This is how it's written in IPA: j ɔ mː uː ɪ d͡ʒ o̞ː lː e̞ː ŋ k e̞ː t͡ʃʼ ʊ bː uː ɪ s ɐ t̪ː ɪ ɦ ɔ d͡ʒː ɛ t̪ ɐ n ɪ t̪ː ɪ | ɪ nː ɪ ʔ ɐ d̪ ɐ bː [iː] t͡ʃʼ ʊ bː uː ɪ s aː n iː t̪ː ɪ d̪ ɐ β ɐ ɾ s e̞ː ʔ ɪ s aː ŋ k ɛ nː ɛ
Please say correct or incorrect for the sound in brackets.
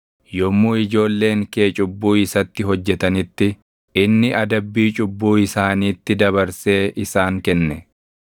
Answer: correct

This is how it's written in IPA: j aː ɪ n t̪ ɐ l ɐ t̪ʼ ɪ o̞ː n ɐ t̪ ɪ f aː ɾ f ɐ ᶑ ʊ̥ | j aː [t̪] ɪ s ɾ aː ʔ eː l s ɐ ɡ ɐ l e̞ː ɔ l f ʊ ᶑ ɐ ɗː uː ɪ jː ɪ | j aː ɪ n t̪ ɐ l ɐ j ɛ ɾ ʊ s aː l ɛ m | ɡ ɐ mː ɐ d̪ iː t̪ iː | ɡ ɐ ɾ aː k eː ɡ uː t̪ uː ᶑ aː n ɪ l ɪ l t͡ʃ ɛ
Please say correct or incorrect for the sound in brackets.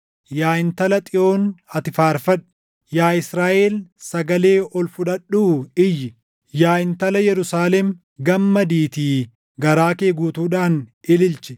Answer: incorrect: none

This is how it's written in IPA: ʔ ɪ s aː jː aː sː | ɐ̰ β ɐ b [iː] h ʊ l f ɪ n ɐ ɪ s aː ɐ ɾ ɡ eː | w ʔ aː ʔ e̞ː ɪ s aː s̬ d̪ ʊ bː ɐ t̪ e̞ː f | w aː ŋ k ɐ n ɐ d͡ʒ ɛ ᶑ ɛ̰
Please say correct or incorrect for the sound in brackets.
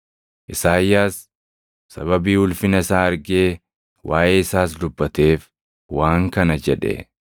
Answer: correct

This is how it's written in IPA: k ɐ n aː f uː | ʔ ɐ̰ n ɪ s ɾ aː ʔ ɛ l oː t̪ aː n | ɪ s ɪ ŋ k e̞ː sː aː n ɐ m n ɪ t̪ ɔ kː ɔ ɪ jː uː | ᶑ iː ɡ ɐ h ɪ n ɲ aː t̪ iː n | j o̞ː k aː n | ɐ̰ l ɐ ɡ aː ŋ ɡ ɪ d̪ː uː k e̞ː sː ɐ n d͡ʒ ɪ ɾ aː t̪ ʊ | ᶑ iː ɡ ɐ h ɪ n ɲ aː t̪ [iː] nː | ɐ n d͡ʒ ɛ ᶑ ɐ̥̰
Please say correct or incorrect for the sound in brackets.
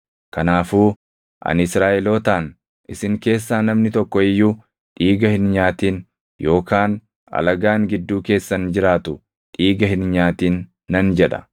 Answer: correct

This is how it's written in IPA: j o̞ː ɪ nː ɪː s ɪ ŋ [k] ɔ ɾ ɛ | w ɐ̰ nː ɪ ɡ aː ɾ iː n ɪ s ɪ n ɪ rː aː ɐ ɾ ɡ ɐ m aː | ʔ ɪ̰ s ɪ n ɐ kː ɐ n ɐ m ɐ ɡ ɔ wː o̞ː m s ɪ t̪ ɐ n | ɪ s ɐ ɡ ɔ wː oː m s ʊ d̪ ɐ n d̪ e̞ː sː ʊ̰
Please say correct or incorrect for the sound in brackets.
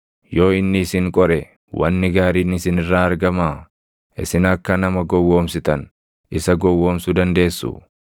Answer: incorrect: kʼ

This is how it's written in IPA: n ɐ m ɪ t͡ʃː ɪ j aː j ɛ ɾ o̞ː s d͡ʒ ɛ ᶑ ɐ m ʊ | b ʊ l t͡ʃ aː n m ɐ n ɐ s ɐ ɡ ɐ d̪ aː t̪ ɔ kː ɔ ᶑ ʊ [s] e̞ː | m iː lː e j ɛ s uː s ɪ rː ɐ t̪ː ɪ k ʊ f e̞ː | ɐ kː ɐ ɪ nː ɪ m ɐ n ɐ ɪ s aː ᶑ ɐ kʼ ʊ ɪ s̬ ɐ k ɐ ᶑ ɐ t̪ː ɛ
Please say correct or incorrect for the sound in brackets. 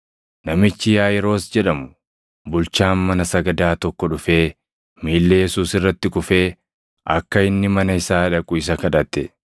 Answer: incorrect: f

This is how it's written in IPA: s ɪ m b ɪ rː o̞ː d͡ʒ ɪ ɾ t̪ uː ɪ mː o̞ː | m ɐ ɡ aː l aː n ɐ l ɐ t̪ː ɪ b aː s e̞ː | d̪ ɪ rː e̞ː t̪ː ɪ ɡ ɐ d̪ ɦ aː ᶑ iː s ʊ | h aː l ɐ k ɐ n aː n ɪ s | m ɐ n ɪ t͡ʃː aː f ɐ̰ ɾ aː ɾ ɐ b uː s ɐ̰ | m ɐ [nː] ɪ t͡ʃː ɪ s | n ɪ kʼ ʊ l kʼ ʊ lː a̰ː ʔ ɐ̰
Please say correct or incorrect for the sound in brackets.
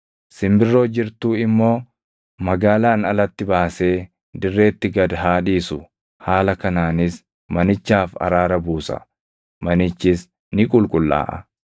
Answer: incorrect: n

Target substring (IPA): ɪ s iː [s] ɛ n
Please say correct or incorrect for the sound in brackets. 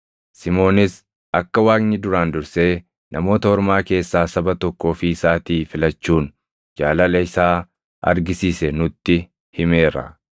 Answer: correct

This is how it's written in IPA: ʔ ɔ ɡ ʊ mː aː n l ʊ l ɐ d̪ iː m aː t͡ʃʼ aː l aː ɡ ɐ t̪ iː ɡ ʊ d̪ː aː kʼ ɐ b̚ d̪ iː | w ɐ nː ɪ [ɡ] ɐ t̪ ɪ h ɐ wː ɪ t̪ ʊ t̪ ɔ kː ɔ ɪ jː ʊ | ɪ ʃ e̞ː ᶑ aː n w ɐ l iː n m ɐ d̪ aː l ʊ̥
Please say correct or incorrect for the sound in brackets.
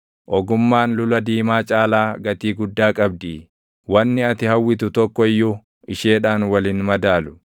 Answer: incorrect: none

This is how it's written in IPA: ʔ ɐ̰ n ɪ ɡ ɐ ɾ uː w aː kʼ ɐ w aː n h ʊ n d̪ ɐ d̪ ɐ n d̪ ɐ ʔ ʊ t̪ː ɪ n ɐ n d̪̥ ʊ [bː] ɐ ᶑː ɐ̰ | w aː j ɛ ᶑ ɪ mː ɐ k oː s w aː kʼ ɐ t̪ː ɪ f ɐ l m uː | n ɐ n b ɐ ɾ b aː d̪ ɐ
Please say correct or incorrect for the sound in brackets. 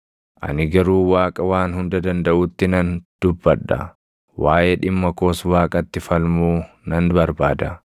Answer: correct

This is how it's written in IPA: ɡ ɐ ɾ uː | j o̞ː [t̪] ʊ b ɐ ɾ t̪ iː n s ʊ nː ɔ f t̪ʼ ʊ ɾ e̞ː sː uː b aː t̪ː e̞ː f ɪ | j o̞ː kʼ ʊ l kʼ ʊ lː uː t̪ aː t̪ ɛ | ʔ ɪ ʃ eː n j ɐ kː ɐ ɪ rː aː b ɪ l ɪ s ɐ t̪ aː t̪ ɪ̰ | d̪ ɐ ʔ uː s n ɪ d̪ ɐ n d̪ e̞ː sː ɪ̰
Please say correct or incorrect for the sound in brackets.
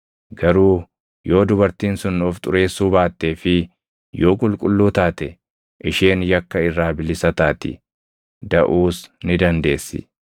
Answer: incorrect: d̪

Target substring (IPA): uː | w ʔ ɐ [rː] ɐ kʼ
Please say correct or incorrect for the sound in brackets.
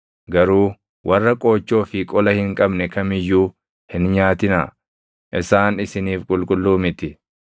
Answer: correct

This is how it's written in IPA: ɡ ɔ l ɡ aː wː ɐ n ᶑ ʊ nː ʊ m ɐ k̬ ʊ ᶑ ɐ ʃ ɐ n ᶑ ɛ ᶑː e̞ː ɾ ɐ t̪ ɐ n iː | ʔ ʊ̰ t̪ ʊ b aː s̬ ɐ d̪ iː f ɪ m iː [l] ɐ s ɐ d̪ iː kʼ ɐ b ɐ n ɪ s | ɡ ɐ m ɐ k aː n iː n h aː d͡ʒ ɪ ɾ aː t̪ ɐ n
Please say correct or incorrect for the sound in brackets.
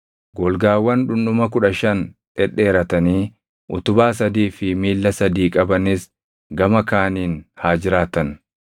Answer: incorrect: lː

